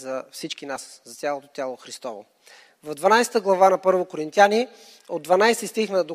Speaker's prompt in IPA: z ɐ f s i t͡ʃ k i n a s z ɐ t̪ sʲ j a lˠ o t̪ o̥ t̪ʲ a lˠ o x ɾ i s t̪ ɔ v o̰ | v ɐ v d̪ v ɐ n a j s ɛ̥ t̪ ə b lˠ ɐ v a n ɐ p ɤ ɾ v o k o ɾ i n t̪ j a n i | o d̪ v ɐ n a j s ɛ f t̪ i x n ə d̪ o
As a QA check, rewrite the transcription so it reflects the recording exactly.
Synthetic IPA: z ɐ f s i t͡ʃ k i n a s z ɐ t̪ sʲ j a lˠ o t̪ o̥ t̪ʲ a lˠ o x ɾ i s t̪ ɔ v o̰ | v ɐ v d̪ v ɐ n a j s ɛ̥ t̪ ə ɡ lˠ ɐ v a n ɐ p ɤ ɾ v o k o ɾ i n t̪ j a n i | o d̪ v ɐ n a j s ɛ s t̪ i x n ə d̪ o